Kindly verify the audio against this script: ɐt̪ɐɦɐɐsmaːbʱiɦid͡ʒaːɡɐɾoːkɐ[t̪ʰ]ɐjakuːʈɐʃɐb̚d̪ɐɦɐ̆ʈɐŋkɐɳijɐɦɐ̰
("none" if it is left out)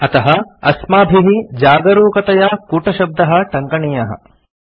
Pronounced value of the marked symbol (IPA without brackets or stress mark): t̪